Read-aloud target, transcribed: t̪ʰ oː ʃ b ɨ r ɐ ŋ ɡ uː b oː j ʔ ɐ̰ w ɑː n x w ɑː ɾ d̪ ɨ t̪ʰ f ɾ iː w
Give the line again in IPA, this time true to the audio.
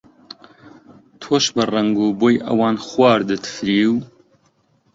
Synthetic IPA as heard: t̪ʰ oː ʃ b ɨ r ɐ ŋ ɡ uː b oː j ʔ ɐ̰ w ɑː n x w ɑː ɾ d̪ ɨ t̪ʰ f ɾ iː w